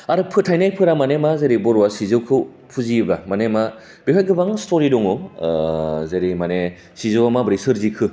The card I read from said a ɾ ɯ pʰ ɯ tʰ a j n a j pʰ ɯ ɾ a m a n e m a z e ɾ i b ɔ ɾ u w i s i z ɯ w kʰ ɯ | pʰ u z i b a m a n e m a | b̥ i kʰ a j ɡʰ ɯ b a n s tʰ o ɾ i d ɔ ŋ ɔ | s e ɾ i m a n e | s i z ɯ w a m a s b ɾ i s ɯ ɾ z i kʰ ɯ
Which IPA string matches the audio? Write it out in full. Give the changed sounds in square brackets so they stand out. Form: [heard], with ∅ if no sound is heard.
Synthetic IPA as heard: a ɾ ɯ pʰ ɯ tʰ a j n a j pʰ ɯ ɾ a m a n e m a z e ɾ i b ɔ ɾ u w [a] s i z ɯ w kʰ ɯ | pʰ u z i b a m a n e m a | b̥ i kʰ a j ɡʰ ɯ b a [ŋ] s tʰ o ɾ i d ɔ ŋ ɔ | [z] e ɾ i m a n e | s i z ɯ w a m a [∅] b ɾ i s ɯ ɾ z i kʰ ɯ